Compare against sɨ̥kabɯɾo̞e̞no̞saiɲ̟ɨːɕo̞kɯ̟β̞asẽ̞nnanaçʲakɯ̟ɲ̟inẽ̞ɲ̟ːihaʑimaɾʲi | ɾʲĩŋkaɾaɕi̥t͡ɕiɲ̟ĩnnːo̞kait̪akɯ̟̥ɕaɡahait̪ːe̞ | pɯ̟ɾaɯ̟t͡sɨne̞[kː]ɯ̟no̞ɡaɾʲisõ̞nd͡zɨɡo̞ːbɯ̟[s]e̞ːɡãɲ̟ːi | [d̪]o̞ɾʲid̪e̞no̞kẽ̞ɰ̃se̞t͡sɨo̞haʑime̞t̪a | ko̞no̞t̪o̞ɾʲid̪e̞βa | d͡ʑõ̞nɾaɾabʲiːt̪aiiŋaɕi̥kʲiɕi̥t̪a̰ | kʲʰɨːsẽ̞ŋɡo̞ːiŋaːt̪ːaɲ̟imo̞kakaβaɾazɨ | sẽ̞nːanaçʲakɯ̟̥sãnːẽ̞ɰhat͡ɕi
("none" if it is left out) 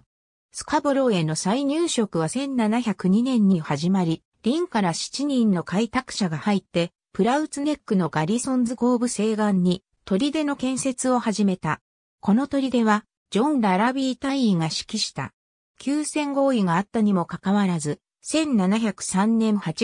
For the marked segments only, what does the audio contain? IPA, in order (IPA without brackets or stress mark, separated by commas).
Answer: kː, s, t̪